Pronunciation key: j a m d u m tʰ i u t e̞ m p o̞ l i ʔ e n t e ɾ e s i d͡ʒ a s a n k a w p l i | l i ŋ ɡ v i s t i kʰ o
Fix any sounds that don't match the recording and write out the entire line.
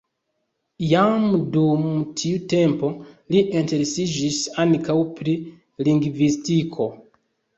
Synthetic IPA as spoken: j a m d u m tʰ i u t e̞ m p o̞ l i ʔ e n t e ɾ e s i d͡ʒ i s a n k a w p ɾ i | l i ŋ ɡ v i s t i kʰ o